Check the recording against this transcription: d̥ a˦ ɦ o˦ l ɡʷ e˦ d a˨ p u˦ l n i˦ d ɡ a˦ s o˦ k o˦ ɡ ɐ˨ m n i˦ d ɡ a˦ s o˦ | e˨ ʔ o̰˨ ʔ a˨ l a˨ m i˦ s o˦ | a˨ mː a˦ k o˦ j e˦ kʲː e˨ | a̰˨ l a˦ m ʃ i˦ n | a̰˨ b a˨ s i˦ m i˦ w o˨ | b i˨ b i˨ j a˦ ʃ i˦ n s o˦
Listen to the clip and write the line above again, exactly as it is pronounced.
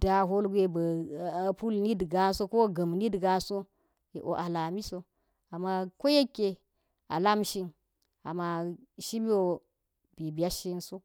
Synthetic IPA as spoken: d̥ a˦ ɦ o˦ l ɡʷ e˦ b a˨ p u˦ l n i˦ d ɡ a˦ s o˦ k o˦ ɡ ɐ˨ m n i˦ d ɡ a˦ s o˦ | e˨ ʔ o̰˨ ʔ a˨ l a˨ m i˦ s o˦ | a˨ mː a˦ k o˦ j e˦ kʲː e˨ | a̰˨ l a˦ m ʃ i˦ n | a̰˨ m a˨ ʃ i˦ m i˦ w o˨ | b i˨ b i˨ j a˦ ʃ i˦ n s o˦